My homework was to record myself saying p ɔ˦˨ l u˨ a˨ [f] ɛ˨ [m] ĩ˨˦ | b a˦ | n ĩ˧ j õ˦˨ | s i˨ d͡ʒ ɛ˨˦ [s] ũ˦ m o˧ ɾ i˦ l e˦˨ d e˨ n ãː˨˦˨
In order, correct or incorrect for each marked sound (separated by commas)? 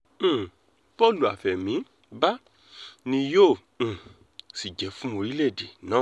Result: correct, correct, incorrect